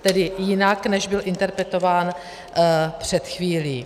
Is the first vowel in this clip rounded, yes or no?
no